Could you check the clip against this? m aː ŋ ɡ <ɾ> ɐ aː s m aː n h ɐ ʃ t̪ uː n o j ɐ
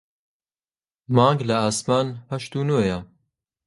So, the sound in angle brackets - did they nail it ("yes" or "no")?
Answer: no